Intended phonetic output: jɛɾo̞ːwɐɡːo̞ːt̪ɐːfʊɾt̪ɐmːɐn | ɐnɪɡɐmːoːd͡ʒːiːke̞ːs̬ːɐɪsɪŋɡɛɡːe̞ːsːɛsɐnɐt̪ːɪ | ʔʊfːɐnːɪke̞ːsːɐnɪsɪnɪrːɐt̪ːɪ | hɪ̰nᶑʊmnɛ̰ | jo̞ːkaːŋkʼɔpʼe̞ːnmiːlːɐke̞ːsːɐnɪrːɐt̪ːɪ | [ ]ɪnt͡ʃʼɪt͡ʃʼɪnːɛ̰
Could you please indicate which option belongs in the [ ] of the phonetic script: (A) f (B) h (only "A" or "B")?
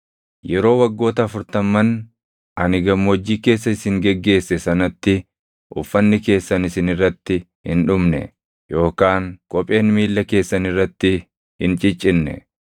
B